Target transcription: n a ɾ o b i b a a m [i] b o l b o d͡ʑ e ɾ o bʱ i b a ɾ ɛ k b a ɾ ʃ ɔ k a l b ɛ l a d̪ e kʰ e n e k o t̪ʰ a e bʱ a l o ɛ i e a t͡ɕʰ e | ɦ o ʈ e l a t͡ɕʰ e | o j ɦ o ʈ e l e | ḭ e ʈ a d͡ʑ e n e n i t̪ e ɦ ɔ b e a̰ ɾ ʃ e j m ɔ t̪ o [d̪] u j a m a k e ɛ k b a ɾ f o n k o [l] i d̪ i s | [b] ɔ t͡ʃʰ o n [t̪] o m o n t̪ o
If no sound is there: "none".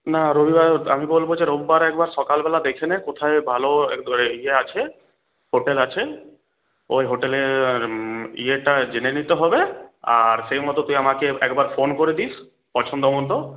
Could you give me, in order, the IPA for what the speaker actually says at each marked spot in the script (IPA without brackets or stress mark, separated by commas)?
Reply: i, t̪, ɾ, p, d̪